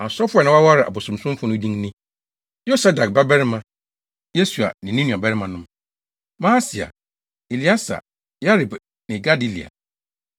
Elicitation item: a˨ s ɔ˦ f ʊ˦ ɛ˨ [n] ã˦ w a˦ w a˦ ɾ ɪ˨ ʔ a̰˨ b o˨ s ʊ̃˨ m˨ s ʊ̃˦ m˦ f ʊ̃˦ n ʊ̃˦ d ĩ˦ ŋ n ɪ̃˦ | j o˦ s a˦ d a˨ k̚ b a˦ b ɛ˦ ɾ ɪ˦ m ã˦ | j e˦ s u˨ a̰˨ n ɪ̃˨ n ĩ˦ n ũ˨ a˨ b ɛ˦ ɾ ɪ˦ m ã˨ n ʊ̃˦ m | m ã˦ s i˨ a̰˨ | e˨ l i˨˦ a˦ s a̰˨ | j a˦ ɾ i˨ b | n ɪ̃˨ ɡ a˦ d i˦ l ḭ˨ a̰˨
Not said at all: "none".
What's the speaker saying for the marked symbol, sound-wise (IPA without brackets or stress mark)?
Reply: n